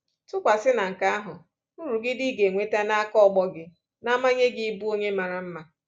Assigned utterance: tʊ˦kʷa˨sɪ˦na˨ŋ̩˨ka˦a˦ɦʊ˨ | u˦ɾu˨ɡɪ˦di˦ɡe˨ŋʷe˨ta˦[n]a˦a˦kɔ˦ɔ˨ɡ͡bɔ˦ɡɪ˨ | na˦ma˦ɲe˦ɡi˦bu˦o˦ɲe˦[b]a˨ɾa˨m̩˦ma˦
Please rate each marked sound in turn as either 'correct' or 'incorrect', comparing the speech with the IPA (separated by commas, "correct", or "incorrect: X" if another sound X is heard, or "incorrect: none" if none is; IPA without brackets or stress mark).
correct, incorrect: m